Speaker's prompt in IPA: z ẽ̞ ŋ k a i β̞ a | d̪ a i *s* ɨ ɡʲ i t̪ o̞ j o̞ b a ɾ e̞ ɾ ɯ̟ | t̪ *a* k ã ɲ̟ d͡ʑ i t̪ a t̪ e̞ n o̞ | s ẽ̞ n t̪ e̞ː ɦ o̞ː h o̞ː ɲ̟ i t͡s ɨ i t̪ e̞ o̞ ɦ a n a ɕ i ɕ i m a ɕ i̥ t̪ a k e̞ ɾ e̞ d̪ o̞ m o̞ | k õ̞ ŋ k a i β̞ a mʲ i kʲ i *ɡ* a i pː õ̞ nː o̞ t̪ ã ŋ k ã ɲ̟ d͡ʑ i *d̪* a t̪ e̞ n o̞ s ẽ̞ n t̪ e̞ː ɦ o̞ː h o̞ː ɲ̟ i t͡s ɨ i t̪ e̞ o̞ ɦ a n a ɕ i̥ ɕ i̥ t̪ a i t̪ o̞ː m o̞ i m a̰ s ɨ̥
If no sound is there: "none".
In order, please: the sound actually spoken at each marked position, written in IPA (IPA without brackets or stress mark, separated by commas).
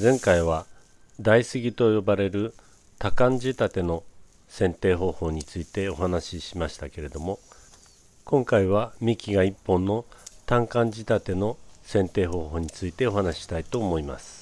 s, a, ɡ, t̪